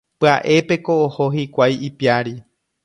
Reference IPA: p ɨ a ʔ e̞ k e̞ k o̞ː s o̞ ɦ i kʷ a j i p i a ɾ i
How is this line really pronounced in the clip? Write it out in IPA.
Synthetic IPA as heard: p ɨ a ʔ e̞ p e̞ k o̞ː h o̞ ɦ i kʷ a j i p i a ɾ i